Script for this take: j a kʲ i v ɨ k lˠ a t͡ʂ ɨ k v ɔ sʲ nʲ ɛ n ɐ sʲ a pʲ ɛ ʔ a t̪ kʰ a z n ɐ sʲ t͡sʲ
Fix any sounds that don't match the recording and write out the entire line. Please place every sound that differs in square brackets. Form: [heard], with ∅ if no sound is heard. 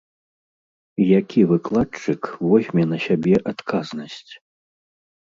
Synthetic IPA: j a kʲ i v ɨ k lˠ a t͡ʂ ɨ k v ɔ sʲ [mʲ] ɛ n ɐ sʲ a [bʲ] ɛ ʔ a t̪ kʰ a z n ɐ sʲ t͡sʲ